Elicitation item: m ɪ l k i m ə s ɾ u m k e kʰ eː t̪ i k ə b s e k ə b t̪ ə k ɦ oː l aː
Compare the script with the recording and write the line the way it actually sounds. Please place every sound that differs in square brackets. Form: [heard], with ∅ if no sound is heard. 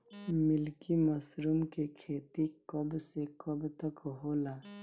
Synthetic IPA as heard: m ɪ l k i m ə s ɾ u m k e kʰ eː t̪ i k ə b s e k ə b t̪ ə k ɦ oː l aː